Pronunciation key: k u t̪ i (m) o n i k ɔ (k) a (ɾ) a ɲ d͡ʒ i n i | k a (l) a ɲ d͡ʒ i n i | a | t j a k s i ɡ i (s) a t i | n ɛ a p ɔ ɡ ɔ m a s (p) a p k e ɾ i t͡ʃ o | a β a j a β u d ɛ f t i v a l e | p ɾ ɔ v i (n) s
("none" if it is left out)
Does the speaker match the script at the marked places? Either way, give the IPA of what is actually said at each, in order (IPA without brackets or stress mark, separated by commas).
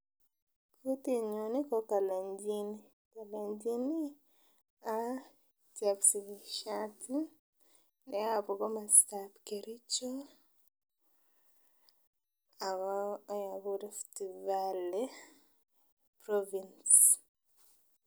ɲ, k, l, l, ʃ, t, n